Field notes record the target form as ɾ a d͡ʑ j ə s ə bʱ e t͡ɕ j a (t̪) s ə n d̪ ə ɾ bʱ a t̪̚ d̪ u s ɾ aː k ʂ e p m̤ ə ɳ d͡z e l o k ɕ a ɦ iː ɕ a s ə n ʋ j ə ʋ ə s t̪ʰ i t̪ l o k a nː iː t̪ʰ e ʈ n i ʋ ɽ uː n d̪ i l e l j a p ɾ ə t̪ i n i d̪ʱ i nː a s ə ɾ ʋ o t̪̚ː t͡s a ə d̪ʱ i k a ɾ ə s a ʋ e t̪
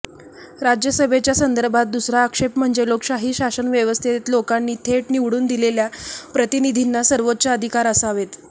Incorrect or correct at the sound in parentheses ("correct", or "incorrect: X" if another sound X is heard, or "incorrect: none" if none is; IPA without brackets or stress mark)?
incorrect: none